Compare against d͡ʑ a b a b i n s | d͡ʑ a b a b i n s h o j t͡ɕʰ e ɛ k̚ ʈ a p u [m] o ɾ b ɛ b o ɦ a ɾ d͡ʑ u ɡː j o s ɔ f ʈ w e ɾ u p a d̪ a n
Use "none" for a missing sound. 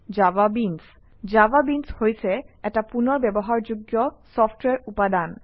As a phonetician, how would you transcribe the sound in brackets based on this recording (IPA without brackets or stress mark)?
n